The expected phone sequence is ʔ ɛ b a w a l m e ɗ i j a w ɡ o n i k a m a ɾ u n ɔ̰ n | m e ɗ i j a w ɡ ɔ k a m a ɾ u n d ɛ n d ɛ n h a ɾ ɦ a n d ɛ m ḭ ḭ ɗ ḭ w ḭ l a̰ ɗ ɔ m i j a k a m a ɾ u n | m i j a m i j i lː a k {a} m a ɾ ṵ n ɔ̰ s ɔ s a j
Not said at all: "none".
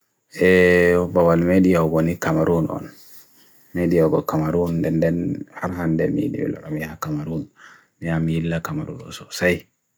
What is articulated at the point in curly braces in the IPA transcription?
a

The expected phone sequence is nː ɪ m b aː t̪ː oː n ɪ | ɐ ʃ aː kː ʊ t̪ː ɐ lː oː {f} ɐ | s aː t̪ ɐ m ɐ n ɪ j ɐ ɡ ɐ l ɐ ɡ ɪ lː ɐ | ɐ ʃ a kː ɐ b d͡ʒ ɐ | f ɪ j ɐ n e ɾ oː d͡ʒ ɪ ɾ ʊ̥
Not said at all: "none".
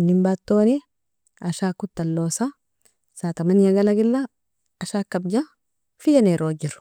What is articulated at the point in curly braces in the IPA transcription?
s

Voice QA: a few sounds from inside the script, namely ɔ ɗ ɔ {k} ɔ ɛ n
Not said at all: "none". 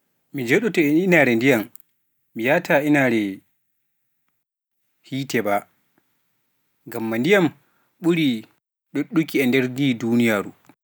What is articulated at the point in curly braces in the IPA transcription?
t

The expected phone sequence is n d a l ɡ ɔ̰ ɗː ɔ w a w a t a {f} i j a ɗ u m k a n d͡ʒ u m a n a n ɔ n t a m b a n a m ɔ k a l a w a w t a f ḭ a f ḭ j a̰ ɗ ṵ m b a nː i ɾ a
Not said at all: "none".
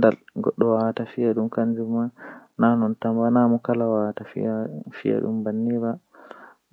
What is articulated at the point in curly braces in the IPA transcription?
f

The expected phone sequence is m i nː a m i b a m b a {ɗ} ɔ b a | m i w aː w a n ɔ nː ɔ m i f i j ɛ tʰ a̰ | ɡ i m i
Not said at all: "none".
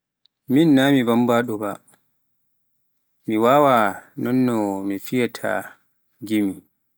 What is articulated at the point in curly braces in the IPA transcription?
ɗ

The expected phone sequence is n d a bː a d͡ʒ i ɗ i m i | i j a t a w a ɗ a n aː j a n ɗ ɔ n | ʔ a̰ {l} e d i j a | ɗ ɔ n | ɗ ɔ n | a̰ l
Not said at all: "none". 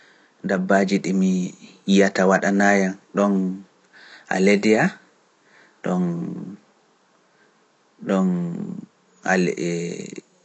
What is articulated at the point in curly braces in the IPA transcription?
l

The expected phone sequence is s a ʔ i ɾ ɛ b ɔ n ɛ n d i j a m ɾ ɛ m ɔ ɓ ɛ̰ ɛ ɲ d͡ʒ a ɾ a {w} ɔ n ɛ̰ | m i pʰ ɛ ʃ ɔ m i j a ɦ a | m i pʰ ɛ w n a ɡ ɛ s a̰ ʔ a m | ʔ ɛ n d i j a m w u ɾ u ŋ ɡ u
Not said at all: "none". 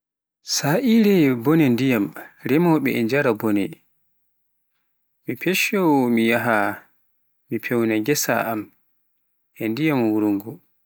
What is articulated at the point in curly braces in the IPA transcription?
b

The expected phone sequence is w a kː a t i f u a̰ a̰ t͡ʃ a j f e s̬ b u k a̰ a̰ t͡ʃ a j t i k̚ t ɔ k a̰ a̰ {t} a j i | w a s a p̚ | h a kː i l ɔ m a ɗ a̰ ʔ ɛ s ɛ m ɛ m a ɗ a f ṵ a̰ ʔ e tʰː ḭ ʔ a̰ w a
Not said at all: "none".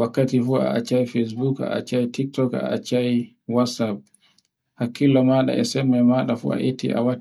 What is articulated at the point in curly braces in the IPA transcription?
t͡ʃ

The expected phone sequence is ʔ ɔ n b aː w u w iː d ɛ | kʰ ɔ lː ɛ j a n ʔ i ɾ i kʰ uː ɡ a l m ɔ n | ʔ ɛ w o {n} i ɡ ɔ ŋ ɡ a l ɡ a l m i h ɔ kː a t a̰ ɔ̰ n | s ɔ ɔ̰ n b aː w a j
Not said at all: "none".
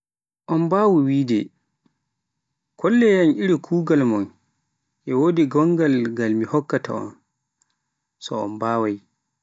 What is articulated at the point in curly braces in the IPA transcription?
d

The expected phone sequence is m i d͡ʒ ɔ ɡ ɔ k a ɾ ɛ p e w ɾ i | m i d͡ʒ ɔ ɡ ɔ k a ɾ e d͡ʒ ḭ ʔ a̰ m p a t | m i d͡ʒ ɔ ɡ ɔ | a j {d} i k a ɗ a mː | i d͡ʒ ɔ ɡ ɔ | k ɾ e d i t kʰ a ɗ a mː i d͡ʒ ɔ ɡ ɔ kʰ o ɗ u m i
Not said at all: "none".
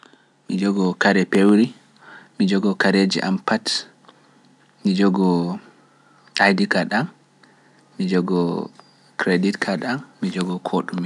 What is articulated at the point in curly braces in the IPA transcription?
d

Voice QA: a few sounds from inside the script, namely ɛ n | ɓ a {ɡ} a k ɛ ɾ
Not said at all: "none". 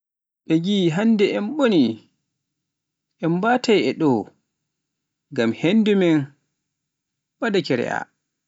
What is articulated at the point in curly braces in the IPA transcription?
d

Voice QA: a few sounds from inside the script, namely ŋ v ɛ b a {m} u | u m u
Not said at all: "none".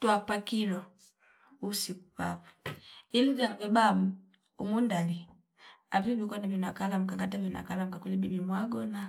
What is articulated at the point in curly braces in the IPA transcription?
m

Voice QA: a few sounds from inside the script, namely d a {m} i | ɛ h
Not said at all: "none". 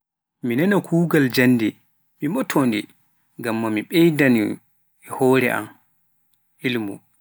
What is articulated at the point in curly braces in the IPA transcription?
n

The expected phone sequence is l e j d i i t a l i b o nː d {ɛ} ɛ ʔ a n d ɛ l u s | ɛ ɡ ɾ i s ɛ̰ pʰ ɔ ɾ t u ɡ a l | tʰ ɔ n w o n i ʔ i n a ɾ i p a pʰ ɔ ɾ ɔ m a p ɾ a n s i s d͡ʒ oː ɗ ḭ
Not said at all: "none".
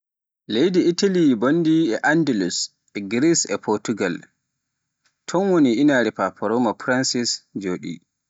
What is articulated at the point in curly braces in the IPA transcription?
i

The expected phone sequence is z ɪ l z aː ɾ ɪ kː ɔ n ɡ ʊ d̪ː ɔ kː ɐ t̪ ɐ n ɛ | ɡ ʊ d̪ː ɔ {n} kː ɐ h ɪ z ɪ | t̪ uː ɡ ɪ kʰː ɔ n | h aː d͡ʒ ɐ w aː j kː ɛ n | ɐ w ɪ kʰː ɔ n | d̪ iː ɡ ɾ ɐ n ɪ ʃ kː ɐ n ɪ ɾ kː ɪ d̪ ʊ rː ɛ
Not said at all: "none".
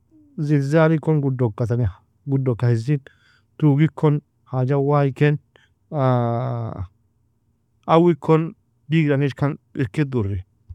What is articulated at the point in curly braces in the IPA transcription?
none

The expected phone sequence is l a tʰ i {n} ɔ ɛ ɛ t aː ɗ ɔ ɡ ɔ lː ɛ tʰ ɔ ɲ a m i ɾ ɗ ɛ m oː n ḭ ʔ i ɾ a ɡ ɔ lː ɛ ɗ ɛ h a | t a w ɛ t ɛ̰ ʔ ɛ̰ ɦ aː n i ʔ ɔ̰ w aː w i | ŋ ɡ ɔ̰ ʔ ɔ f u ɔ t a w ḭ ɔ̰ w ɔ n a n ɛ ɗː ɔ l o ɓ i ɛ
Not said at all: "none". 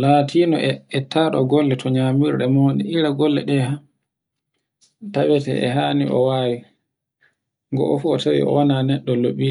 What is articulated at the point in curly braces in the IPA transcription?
n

